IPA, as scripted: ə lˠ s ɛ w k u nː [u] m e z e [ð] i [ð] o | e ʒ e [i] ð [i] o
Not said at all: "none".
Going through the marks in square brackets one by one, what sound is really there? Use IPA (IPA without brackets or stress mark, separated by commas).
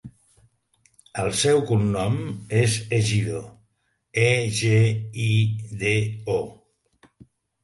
ɔ, ʒ, ð, i, e